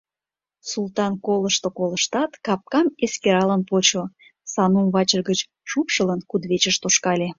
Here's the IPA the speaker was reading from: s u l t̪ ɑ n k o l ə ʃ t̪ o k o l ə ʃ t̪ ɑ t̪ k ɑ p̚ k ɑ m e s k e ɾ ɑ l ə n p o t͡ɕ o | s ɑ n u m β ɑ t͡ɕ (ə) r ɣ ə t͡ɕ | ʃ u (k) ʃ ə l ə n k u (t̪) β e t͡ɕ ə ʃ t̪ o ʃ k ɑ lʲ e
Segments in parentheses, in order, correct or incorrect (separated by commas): correct, incorrect, incorrect